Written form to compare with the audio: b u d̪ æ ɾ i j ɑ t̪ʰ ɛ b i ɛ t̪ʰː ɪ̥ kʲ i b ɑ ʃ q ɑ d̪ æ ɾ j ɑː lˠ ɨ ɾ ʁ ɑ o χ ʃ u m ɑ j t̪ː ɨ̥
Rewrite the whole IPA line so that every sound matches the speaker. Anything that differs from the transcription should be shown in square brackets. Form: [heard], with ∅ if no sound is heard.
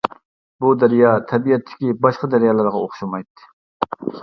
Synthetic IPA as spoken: b u d̪ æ ɾ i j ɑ t̪ʰ ɛ b i ɛ t̪ʰː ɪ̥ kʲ i b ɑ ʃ q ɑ d̪ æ ɾ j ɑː lˠ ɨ ɾ ʁ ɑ o χ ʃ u m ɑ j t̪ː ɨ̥